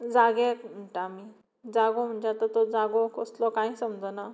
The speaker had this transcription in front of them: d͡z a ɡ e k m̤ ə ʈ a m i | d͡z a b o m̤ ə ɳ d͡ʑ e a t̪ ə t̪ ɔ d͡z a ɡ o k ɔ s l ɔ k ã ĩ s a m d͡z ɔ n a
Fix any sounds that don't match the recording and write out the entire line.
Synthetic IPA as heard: d͡z a ɡ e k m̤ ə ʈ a m i | d͡z a ɡ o m̤ ə ɳ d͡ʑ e a t̪ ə t̪ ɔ d͡z a ɡ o k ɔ s l ɔ k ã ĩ s ə m d͡z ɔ n a